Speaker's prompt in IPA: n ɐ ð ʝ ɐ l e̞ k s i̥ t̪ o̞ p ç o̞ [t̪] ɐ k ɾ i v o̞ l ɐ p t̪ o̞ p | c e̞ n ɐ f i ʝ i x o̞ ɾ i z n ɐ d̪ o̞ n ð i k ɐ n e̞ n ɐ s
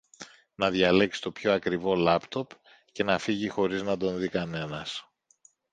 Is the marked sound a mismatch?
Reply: yes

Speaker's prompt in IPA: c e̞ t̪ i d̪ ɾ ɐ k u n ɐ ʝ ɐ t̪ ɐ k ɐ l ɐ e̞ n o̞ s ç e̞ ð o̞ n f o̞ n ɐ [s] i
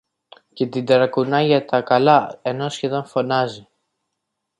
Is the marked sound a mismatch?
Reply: yes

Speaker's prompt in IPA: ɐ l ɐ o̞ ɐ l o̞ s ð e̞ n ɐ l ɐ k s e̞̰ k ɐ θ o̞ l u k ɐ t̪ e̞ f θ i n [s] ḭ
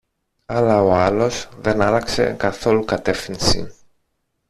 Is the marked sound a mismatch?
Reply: no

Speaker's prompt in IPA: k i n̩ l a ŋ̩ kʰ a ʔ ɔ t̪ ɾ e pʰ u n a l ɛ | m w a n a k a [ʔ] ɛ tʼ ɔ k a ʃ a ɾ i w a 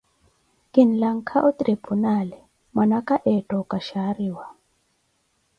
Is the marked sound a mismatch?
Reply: no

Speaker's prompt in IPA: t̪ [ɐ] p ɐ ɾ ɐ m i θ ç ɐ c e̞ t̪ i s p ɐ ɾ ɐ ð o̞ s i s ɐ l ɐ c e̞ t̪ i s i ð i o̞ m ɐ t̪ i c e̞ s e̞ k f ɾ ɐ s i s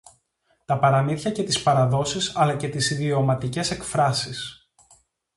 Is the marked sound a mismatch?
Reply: no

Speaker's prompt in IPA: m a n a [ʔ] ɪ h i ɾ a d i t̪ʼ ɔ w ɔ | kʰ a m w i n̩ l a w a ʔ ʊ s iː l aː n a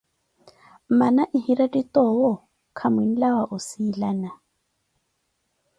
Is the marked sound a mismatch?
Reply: no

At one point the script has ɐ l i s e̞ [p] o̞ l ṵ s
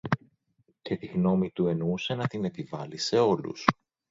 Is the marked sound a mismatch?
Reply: yes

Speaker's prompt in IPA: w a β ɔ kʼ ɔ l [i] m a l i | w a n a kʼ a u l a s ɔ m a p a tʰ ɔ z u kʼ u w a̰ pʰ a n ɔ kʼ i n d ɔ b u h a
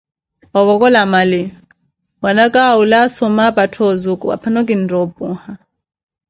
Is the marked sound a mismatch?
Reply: yes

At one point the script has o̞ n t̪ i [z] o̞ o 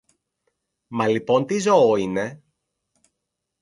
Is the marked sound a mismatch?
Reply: no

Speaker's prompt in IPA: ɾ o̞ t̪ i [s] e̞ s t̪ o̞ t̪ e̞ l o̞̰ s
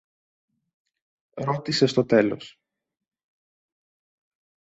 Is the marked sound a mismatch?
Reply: no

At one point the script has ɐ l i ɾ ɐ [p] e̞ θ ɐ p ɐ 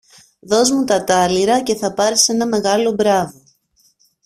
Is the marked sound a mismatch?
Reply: yes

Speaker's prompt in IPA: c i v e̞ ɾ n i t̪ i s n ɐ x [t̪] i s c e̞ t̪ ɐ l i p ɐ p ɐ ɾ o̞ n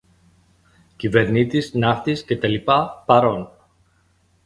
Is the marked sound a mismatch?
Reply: no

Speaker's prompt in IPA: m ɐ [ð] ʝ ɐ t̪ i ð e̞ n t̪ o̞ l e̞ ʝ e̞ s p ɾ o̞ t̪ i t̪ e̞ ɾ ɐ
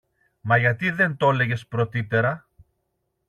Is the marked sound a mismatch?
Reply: yes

